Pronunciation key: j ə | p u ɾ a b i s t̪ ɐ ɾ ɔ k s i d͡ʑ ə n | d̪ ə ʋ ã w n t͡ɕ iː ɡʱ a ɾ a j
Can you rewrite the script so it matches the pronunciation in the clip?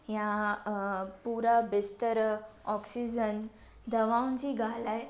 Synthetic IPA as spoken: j a | p u ɾ a b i s t̪ ə ɾ ɔ k s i d͡ʑ ə n | d̪ ə ʋ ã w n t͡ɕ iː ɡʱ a l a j